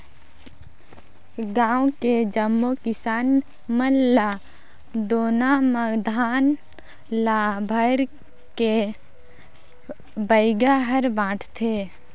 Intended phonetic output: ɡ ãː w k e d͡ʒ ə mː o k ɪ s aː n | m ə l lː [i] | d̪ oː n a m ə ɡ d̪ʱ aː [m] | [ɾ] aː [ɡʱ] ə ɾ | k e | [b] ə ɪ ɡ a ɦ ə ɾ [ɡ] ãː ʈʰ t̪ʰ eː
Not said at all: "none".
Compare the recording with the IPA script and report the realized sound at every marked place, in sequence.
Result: a, n, l, bʱ, b, b

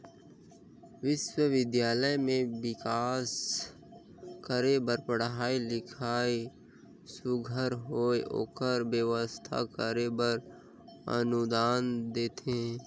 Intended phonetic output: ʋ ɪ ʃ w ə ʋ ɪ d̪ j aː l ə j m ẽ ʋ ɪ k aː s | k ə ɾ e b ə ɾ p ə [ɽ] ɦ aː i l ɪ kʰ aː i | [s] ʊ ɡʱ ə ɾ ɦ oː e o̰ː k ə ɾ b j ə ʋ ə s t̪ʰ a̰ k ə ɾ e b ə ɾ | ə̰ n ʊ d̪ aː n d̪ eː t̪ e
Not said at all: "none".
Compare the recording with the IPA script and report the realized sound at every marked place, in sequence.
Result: ɽ, s

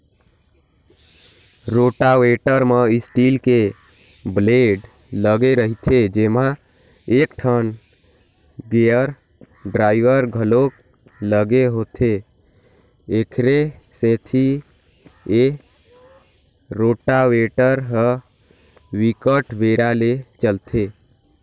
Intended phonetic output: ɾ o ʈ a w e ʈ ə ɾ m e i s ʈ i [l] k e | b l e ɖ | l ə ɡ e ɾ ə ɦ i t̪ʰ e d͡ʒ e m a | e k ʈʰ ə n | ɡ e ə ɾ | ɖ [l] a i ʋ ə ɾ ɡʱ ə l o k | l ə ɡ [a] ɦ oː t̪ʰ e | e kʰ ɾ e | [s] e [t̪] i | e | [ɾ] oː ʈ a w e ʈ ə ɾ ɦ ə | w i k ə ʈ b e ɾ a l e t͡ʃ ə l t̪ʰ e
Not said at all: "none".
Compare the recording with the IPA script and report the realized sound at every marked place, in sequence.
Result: l, ɾ, e, s, t̪ʰ, ɾ

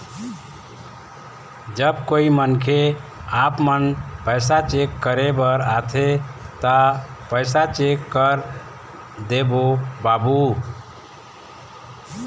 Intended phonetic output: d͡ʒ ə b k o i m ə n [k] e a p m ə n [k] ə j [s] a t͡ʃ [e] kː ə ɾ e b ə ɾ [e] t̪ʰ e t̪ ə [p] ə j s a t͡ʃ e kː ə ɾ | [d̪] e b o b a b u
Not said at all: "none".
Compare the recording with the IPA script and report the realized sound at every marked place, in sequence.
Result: kʰ, p, s, e, a, p, d̪

